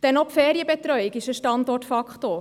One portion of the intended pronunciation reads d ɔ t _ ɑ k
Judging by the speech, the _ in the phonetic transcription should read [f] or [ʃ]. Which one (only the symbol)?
f